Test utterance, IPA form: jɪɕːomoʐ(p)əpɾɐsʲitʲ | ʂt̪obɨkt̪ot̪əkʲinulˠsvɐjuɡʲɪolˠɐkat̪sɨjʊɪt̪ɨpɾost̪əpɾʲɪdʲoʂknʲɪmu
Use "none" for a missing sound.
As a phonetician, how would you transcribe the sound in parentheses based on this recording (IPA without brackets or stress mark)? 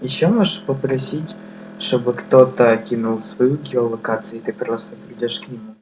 p